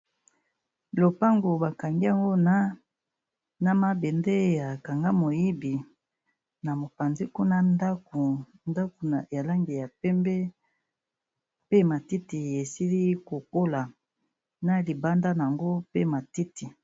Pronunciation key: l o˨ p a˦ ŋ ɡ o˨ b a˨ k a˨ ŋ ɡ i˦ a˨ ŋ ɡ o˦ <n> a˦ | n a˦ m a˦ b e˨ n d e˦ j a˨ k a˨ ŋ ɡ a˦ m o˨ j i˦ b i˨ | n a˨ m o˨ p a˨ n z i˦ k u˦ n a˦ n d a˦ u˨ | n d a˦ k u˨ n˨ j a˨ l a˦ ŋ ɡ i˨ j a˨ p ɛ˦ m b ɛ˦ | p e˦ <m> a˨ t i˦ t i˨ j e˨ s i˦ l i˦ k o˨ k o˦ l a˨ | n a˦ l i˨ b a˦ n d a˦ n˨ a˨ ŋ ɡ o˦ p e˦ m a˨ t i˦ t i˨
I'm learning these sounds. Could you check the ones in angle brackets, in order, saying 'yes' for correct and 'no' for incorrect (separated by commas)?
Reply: yes, yes